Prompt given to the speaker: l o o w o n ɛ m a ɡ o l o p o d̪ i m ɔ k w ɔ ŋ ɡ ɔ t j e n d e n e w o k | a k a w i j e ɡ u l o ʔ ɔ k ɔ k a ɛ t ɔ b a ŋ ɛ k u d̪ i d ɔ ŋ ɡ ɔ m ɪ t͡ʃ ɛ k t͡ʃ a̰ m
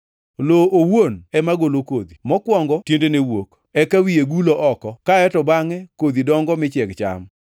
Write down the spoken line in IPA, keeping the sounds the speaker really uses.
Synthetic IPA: l o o w o n ɛ m a ɡ o l o k o d̪ i m ɔ k w ɔ ŋ ɡ ɔ t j e n d e n e w o k | ɛ k a w i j e ɡ u l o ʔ ɔ k ɔ k a ɛ t ɔ b a ŋ ɛ k o d̪ i d ɔ ŋ ɡ ɔ m ɪ t͡ʃ ɛ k t͡ʃ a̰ m